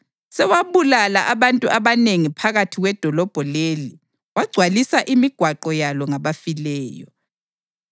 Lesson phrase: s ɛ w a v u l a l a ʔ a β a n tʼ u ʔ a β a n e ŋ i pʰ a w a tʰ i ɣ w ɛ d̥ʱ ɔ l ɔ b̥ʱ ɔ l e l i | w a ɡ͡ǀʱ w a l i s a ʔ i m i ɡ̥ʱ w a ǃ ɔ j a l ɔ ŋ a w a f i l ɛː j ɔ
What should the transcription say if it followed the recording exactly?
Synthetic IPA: s ɛ w a β u l a l a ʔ a β a n tʼ u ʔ a β a n e ŋ i pʰ a ɣ a tʰ i ɣ w ɛ d̥ʱ ɔ l ɔ b̥ʱ ɔ l e l i | w a ɡ͡ǀʱ w a l i s a ʔ i m i ɡ̥ʱ w a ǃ ɔ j a l ɔ ŋ a β a f i l ɛː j ɔ